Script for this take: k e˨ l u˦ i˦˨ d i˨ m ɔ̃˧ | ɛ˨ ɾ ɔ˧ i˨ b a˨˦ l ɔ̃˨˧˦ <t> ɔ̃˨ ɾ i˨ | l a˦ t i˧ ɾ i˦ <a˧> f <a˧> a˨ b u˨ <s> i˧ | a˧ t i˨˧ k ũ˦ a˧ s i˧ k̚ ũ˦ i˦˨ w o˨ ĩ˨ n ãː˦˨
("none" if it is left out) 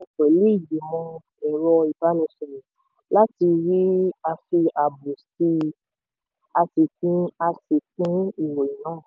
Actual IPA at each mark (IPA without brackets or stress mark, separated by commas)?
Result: s, a˧, i˧, s